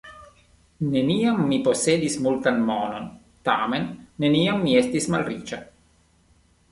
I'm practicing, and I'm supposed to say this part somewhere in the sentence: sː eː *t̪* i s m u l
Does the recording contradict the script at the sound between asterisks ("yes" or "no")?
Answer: yes